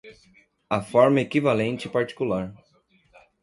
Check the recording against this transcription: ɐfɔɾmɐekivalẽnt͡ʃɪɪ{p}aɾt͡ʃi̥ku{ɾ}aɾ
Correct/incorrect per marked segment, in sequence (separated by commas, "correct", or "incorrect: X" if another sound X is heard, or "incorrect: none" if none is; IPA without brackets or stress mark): correct, incorrect: l